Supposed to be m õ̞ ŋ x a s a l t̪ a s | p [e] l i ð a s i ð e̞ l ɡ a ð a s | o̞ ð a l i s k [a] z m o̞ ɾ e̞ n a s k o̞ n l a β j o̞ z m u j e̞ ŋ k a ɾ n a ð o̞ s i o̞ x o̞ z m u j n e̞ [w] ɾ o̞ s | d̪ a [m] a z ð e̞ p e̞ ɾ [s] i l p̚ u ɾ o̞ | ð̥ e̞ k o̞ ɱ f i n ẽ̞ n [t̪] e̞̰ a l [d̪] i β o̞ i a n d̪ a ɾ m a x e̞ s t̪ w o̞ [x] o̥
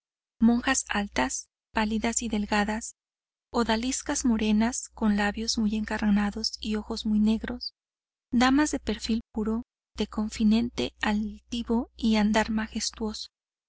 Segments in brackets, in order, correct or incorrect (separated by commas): incorrect, correct, incorrect, correct, incorrect, correct, incorrect, incorrect